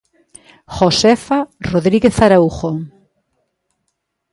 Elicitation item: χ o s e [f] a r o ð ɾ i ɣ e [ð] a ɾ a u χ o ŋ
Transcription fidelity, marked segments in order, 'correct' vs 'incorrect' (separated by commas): correct, incorrect